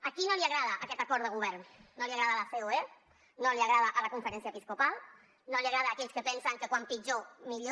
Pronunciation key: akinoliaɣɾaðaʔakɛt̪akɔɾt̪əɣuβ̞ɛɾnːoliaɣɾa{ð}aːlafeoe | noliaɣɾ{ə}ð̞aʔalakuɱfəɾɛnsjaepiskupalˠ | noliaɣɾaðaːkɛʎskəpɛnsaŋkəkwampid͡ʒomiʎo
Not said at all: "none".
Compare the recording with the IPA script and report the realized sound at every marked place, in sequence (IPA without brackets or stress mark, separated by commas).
ð, a